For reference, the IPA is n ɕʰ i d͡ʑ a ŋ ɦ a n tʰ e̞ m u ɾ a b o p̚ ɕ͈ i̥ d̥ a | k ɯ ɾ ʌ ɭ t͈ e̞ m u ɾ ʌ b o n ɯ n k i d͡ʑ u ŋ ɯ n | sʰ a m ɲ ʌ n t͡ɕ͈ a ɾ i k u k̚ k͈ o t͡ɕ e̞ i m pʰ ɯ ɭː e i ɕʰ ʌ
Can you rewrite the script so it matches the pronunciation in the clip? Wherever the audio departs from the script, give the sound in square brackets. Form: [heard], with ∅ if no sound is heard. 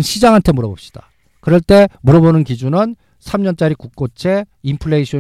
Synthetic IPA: n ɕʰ i d͡ʑ a ŋ ɦ a n tʰ e̞ m u ɾ [ʌ] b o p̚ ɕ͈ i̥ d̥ a | k ɯ ɾ ʌ ɭ t͈ e̞ m u ɾ ʌ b o n ɯ n k i d͡ʑ u [n] ɯ n | sʰ a m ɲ ʌ n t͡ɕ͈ a ɾ i k u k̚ k͈ o [t͡ɕʰ] e̞ i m pʰ ɯ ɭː e i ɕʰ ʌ